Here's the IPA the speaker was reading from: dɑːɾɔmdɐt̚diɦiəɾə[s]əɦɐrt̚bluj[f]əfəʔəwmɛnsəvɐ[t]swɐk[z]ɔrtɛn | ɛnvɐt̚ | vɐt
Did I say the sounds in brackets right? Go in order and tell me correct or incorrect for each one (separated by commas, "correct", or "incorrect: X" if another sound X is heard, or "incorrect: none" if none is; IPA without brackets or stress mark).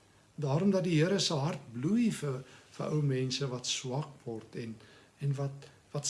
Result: correct, correct, correct, incorrect: v